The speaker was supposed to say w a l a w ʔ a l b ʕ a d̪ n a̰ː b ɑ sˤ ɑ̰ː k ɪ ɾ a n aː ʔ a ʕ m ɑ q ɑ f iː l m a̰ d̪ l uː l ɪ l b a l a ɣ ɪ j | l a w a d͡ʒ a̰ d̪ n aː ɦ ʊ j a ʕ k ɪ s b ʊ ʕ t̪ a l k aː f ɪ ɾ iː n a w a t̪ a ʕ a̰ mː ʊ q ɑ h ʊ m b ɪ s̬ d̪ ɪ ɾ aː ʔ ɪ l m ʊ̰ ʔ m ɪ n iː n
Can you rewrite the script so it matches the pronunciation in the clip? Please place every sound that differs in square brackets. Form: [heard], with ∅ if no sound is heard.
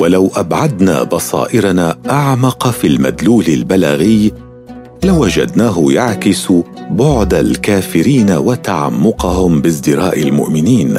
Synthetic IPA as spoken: w a l a w ʔ a [∅] b ʕ a d̪ n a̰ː b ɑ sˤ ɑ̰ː [ʔ] ɪ ɾ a n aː ʔ a ʕ m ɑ q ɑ f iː l m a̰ d̪ l uː l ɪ l b a l a ɣ ɪ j | l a w a d͡ʒ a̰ d̪ n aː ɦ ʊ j a ʕ k ɪ s b ʊ ʕ [d̪] a l k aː f ɪ ɾ iː n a w a t̪ a ʕ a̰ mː ʊ q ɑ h ʊ m b ɪ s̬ d̪ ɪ ɾ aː ʔ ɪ l m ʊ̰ ʔ m ɪ n iː n